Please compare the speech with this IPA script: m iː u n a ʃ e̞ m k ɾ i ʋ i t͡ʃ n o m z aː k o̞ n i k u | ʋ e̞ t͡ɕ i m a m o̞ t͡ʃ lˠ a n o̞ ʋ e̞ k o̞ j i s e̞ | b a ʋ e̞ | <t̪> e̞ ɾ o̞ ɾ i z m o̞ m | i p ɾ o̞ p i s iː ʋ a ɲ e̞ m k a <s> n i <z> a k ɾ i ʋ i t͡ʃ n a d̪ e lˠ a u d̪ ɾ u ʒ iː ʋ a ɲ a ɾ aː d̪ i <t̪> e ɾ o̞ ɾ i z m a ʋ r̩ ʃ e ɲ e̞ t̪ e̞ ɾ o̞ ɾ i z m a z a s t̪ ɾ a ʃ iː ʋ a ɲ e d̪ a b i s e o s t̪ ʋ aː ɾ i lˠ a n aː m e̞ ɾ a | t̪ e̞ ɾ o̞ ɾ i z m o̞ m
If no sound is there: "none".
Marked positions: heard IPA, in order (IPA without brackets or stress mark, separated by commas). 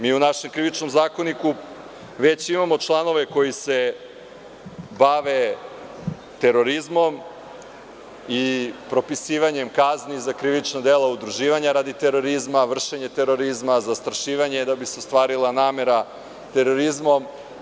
t̪, z, z, t̪